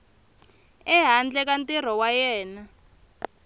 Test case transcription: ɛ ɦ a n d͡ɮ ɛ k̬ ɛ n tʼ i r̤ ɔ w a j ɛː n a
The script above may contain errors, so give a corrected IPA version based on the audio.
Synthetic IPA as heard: ɛ ɦ a n d͡ɮ ɛ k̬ a n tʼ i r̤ ɔ w a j ɛː n a